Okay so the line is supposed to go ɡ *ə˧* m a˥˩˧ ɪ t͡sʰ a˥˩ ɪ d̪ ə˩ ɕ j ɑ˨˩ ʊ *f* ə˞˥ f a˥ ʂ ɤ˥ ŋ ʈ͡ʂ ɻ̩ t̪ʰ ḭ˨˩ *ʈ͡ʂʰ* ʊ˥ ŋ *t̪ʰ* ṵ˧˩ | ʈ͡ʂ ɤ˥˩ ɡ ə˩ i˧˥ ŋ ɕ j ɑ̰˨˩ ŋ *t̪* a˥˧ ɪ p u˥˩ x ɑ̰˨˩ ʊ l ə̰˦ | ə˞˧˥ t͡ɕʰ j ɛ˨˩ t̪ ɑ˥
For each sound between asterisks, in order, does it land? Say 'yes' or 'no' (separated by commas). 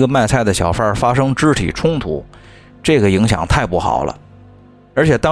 yes, yes, yes, yes, no